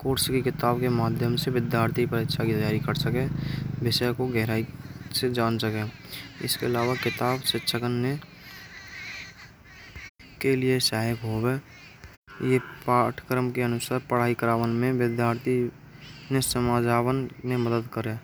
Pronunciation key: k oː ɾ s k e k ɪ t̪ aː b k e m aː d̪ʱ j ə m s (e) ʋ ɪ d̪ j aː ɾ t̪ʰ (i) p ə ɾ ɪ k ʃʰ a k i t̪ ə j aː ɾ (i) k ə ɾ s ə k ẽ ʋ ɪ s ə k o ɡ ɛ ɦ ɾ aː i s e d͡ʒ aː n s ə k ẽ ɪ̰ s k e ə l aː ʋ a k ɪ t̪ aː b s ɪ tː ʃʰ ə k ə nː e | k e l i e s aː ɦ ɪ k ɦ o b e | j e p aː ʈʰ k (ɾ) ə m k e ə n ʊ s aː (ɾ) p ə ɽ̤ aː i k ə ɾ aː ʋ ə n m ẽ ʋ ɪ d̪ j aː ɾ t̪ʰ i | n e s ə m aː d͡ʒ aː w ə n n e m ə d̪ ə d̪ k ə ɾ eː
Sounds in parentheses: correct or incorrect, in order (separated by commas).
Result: correct, correct, correct, correct, correct